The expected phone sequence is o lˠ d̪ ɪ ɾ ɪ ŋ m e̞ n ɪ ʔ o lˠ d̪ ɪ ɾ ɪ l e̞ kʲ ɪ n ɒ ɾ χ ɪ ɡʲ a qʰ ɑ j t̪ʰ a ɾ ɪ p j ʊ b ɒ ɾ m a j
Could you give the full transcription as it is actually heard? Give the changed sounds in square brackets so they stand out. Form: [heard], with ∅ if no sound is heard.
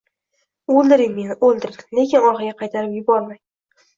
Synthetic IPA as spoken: o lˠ d̪ ɪ ɾ ɪ ŋ m e̞ n ɪ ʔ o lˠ d̪ ɪ ɾ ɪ l e̞ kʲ ɪ n ɒ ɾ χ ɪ ɡʲ a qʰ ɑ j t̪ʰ a ɾ ɪ p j ʊ b ɒ ɾ m a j